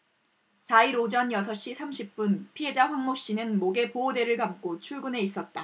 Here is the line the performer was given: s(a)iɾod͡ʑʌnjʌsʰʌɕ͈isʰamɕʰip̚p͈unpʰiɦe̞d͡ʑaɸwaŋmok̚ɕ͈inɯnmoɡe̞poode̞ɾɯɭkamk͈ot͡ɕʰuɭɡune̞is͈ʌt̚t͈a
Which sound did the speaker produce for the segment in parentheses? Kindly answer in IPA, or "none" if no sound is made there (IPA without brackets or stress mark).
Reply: a